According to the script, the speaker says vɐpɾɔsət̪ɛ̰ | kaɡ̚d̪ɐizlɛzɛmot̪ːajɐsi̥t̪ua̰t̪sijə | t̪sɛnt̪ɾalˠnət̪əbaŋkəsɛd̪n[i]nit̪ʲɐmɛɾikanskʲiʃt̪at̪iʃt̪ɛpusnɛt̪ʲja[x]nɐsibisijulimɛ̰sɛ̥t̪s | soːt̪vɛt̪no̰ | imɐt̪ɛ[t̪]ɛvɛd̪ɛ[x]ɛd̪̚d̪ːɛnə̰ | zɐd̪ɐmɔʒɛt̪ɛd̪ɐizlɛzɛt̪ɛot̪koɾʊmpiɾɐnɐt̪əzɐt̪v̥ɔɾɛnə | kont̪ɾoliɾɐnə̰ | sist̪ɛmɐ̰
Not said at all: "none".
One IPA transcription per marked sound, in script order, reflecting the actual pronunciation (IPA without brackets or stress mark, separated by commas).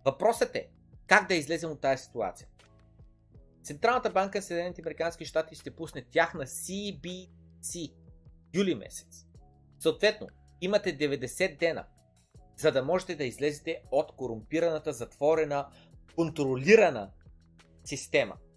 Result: ɛ, x, d̪, s